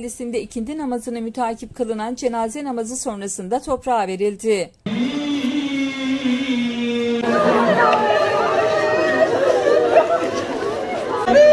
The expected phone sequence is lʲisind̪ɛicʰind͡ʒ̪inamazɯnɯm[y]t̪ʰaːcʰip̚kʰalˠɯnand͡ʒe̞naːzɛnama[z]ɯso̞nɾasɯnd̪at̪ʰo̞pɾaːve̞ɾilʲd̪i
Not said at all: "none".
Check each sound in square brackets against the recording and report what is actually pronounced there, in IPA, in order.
y, z

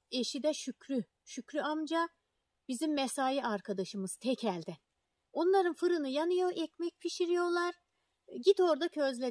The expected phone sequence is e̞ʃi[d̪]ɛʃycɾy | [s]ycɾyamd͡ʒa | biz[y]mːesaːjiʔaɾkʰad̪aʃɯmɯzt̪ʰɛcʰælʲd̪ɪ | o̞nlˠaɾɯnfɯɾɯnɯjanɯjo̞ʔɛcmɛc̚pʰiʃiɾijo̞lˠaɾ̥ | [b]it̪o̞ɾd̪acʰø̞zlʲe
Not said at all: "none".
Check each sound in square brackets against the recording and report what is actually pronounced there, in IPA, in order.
d̪, ʃ, i, ɟ

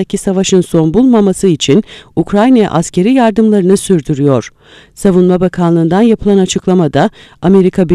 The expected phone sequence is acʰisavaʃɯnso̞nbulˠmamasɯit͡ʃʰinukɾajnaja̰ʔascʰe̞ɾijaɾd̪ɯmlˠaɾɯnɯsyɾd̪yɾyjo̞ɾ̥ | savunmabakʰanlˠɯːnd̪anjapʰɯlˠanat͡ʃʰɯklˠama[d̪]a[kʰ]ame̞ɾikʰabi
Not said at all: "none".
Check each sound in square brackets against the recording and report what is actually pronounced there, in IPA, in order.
d̪, none

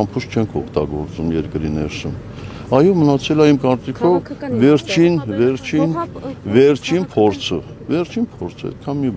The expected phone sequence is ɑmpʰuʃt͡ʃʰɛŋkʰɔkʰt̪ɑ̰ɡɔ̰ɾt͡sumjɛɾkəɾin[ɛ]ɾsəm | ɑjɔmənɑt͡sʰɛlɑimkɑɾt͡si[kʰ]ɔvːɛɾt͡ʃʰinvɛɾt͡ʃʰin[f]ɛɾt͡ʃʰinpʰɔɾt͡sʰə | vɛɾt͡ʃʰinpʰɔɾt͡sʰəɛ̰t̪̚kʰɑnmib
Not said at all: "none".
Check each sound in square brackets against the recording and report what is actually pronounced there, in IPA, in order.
ɛ, kʰ, v

